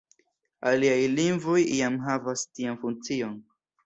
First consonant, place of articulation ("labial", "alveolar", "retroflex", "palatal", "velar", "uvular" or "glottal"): alveolar